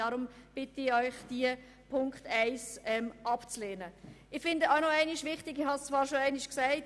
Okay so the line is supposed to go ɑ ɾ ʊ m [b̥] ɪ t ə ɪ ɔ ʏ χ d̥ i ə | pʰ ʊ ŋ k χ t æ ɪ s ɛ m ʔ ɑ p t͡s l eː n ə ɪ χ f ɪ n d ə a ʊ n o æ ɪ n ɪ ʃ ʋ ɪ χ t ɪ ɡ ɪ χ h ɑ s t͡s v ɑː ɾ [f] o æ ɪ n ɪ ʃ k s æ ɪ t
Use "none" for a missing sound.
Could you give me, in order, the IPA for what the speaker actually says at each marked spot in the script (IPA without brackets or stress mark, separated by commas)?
b̥, ʃ